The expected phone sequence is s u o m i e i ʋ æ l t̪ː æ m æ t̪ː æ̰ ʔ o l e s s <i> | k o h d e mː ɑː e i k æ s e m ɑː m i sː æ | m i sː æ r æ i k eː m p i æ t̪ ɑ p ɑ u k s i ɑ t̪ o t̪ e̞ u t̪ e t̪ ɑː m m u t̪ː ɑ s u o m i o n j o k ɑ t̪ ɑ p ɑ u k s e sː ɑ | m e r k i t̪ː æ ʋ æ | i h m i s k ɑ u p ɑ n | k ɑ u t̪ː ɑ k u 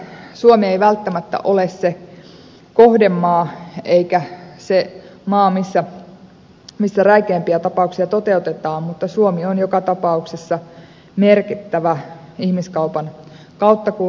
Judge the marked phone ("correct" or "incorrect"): incorrect